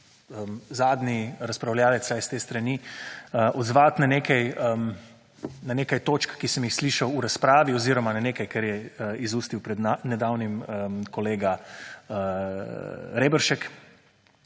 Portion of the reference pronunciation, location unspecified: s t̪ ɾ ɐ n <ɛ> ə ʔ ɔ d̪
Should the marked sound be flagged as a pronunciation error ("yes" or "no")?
yes